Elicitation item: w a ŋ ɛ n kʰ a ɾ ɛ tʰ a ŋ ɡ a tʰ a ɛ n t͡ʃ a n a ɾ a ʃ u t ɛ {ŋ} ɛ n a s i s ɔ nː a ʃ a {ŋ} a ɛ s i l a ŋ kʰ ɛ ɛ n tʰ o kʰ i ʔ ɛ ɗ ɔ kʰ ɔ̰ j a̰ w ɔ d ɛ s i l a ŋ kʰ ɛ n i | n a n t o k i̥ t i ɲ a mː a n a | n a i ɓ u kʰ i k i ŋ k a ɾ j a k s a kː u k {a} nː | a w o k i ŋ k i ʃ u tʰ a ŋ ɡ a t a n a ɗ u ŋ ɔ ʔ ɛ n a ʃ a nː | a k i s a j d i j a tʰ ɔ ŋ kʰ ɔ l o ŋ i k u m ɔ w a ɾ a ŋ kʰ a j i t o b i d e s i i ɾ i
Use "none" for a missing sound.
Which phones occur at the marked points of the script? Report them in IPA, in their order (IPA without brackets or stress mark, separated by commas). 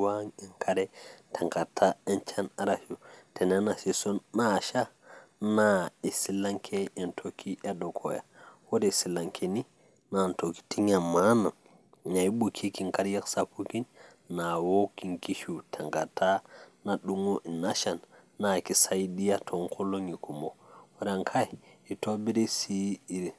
n, n, i